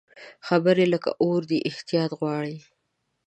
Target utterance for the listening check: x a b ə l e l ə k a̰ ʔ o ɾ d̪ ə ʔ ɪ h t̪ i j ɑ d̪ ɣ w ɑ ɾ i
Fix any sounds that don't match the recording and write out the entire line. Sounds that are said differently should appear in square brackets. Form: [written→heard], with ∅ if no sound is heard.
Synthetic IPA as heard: x a b ə [l→ɾ] e l ə k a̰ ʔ o ɾ d̪ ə ʔ ɪ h t̪ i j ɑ [d̪→t̪] ɣ w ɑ [ɾ→ɽ] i